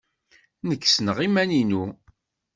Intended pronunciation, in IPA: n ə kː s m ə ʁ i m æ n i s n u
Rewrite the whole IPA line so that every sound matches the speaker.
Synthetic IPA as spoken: n ə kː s n ə ʁ i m æ n i n u